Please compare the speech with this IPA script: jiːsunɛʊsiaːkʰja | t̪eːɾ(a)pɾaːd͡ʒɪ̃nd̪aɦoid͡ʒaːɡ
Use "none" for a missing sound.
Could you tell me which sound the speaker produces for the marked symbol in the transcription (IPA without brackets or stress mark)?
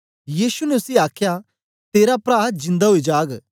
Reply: a